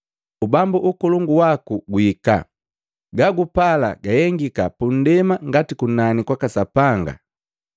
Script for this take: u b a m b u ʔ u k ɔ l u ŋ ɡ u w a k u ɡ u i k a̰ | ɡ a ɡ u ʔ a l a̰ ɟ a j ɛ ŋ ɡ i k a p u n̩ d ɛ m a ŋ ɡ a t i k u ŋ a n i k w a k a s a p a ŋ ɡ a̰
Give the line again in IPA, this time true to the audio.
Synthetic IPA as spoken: u b a m b u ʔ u k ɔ l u ŋ ɡ u w a k u ɡ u i k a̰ | ɡ a ɡ u p a l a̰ ɡ a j ɛ ŋ ɡ i k a p u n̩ d ɛ m a ŋ ɡ a t i k u n a n i k w a k a s a p a ŋ ɡ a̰